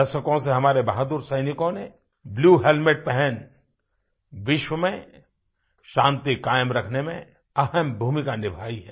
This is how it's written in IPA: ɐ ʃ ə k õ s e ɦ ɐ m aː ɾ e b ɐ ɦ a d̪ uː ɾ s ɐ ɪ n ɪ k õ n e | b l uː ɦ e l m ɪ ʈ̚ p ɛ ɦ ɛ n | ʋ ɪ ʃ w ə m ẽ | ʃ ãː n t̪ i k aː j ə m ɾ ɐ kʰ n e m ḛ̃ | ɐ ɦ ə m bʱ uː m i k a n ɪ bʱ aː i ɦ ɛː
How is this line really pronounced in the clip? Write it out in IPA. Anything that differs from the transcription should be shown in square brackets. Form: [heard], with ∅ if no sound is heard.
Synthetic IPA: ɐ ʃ ə k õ s e ɦ ɐ m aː ɾ e b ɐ ɦ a d̪ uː ɾ s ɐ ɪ n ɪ k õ n e | b l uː ɦ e l m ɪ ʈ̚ p ɛ ɦ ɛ n | ʋ ɪ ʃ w ə m ẽ | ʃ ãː n t̪ i k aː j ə m ɾ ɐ kʰ n e m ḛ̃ | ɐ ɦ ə m bʱ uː m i k a n ɪ bʱ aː i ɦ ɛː